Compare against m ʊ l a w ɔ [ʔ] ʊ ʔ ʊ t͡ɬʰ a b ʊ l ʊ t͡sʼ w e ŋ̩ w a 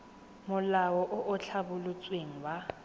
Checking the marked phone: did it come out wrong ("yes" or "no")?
no